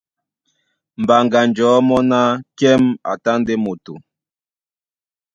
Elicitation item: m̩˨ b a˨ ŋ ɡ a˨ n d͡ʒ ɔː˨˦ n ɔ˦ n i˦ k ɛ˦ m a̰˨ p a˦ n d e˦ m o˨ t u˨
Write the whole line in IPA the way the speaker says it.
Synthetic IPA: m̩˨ b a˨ ŋ ɡ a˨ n d͡ʒ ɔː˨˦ m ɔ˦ n a˦ k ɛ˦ m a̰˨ t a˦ n d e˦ m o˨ t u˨